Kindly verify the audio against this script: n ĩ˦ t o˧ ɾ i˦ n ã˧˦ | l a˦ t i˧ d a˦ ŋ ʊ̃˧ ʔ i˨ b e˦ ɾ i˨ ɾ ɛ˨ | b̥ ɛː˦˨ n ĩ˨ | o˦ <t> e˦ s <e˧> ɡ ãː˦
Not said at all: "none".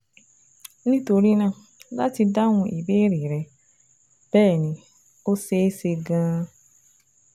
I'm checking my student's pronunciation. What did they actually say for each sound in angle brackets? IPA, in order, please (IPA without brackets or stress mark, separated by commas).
s, e˧